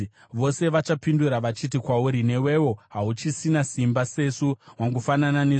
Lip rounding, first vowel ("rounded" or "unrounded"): rounded